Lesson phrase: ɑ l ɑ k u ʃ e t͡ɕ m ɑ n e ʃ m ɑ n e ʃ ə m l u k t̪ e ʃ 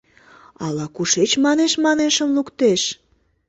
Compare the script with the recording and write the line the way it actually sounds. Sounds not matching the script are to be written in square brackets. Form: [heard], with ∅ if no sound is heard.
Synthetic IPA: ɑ l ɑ k u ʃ e t͡ɕ m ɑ n e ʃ m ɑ n e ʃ ə m l u k t̪ e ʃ